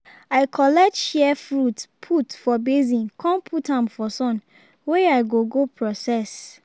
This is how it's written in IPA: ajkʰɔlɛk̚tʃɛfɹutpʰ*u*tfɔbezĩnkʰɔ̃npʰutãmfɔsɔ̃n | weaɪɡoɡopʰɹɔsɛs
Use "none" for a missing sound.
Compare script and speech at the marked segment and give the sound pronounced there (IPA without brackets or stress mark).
u